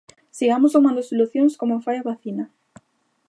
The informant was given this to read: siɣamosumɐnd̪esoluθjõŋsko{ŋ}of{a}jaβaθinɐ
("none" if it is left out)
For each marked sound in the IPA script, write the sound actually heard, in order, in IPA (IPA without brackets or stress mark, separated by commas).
m, a